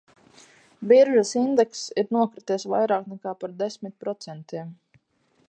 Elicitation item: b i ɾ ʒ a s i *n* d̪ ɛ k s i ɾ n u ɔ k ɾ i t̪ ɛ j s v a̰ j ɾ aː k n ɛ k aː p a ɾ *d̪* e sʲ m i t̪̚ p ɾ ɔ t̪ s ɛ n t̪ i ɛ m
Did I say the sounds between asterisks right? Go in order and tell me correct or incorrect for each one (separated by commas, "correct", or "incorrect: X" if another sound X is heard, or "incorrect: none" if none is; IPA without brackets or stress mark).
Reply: correct, correct